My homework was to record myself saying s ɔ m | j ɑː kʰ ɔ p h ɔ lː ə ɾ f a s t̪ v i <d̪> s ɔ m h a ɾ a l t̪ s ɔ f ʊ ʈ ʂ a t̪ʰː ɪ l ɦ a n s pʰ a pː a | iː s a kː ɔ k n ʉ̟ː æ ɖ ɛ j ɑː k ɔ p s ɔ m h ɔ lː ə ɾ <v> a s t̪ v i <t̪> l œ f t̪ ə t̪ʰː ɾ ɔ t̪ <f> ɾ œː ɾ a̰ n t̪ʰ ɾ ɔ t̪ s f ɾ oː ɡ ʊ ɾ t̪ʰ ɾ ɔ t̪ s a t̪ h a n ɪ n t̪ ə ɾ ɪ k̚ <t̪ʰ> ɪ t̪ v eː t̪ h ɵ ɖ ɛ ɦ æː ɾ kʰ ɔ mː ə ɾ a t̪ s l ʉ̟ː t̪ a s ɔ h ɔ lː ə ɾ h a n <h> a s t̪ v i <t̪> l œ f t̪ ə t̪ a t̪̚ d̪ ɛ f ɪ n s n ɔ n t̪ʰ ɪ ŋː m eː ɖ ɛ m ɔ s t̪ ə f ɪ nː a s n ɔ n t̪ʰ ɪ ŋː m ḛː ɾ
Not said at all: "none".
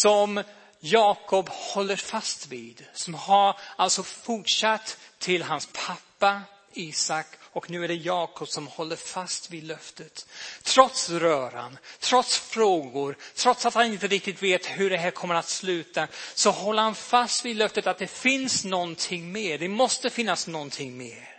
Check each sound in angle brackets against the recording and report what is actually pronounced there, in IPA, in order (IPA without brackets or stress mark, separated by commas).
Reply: d̪, f, d̪, s, t̪, f, d̪